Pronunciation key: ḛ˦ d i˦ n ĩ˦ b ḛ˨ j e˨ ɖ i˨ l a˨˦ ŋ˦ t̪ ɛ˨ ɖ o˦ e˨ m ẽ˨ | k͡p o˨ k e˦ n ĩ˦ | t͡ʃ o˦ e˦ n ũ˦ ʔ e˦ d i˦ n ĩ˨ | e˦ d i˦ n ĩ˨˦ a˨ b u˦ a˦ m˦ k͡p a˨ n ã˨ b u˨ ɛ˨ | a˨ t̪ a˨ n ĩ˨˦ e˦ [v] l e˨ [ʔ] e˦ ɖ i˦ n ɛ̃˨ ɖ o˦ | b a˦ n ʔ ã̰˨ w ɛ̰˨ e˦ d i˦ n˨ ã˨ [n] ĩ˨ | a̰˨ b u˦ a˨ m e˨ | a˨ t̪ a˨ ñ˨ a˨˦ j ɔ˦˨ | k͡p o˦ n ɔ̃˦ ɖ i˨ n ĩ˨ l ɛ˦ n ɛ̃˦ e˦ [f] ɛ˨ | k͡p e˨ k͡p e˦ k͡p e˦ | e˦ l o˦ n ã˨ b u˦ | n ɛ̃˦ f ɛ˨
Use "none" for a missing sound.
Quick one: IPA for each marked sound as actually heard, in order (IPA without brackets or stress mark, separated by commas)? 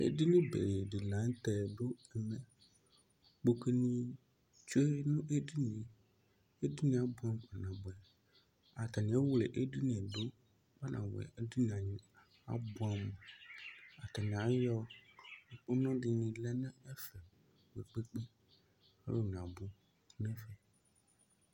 w, ʔ, ɲ, f